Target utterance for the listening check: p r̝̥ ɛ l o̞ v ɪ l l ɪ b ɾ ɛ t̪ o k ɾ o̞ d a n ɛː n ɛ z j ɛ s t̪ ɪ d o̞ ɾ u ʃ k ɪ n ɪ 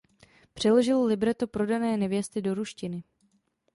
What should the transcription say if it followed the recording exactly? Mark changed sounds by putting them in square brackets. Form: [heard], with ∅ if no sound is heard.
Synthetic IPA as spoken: p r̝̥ ɛ l o̞ [ʒ] ɪ l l ɪ b ɾ ɛ t̪ o [p] ɾ o̞ d a n ɛː n ɛ [v] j ɛ s t̪ ɪ d o̞ ɾ u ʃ [c] ɪ n ɪ